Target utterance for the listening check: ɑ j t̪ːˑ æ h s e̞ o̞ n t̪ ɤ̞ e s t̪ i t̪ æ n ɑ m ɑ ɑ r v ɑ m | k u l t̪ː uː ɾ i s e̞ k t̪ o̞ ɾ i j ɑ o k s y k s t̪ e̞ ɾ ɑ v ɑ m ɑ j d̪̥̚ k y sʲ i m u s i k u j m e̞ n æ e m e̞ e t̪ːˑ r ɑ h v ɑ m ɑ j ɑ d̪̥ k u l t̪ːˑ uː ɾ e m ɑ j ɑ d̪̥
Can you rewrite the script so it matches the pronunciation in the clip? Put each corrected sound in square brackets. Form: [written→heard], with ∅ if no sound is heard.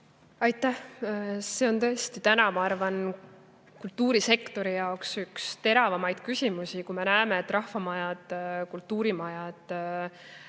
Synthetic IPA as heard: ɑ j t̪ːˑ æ h s e̞ o̞ n t̪ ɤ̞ e s t̪ i t̪ æ n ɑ m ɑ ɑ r v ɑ [m→n] | k u l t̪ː uː ɾ i s e̞ k t̪ o̞ ɾ i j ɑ o k s y k s t̪ e̞ ɾ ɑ v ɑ m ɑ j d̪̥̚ k y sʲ i m u s i k u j m e̞ n æ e m e̞ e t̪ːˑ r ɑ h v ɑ m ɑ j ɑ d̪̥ k u l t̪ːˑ uː ɾ [e→i] m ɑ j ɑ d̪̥